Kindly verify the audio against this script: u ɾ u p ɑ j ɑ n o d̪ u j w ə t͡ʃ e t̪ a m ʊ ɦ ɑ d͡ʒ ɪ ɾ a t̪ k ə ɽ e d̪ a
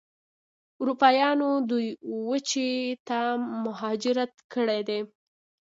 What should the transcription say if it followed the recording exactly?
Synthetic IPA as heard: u ɾ u p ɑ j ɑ n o d̪ u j w ə t͡ʃ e t̪ a m ʊ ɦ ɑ d͡ʒ ɪ ɾ a t̪ k ə ɽ e d̪ e